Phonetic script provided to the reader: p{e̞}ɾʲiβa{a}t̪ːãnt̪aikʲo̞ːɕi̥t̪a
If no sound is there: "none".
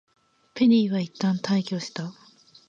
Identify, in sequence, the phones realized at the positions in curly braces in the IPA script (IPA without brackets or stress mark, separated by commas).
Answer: e̞, i